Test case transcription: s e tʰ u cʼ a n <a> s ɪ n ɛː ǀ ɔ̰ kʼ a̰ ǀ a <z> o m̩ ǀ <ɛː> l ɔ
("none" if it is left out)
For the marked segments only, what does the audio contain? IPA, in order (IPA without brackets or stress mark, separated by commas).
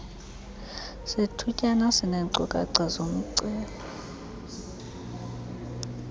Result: a, z, ɛː